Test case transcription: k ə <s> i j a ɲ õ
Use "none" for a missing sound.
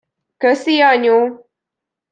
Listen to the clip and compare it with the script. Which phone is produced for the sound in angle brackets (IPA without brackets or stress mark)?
s